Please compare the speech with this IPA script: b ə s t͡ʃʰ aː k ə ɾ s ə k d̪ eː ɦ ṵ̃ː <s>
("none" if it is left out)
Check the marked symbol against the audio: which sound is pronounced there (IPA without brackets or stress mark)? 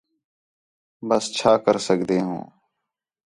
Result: none